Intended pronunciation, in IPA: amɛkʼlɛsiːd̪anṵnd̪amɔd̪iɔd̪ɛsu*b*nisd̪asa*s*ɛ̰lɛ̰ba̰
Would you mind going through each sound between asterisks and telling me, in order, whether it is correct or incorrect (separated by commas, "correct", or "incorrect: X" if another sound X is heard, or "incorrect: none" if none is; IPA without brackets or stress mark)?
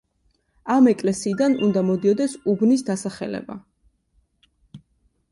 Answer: correct, incorrect: χ